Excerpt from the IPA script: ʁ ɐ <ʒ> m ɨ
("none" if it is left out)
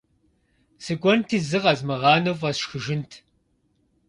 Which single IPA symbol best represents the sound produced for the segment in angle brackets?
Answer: z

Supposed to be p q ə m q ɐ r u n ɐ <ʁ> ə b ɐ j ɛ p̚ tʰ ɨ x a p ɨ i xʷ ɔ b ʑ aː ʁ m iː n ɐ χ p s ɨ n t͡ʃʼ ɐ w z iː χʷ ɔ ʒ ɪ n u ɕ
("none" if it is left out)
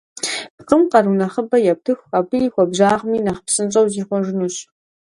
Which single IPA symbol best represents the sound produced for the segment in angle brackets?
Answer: χ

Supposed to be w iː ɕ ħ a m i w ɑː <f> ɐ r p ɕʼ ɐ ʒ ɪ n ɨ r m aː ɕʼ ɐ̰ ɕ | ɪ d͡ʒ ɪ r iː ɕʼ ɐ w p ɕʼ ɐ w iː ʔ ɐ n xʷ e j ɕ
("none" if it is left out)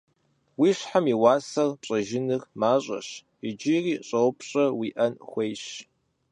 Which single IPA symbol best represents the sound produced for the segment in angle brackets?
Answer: s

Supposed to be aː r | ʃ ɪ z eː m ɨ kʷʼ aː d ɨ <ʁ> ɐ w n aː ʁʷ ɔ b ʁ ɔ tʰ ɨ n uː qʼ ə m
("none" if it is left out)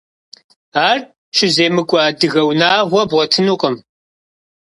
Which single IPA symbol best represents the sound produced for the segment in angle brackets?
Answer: ɣ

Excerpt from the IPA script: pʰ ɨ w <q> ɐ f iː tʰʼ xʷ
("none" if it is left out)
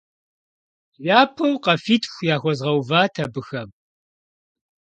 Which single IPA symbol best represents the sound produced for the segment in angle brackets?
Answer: q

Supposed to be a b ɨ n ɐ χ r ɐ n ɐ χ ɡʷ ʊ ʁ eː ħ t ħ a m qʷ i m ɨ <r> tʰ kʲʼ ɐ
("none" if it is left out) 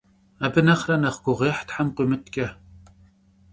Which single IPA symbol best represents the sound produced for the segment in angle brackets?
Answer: none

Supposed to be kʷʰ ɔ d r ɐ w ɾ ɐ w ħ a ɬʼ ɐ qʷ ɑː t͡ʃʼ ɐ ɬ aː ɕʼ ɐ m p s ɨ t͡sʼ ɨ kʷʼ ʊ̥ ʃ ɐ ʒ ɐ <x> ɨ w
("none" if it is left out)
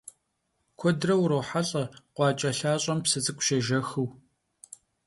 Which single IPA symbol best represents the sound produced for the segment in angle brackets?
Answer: x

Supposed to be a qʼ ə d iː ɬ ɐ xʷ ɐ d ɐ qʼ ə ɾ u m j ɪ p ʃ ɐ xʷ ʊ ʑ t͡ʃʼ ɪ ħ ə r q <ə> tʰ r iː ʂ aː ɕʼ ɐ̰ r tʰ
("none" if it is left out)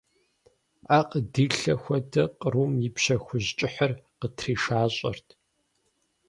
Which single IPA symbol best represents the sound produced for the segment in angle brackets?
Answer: ə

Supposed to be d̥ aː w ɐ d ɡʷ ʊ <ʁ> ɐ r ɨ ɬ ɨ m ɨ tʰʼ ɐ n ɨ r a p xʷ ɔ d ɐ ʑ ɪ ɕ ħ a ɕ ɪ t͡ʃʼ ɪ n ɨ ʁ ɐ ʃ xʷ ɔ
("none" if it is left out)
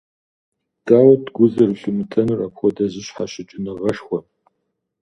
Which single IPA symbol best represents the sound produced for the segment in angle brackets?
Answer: z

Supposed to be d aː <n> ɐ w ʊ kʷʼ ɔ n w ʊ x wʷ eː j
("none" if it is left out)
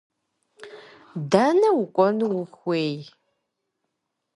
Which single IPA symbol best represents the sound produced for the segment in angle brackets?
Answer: n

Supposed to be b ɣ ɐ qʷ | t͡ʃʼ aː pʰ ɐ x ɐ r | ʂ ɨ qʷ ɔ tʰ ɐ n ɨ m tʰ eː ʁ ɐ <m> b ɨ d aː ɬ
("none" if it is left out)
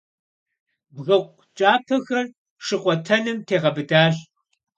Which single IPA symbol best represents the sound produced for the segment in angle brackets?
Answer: none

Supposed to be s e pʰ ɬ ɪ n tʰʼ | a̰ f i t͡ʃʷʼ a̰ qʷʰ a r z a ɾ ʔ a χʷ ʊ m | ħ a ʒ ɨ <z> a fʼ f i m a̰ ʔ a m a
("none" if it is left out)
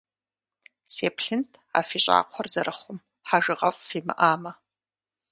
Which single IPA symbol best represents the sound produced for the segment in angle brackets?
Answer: ʁ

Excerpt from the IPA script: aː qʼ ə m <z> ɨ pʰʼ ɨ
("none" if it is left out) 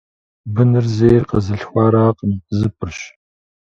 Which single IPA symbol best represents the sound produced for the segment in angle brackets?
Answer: z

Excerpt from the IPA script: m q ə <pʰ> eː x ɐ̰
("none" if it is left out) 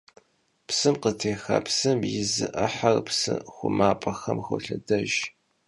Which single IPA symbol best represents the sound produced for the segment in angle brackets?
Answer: tʰ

